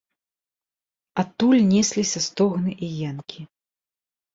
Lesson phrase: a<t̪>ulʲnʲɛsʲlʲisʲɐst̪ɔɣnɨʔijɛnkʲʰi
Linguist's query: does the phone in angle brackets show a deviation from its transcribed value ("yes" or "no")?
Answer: no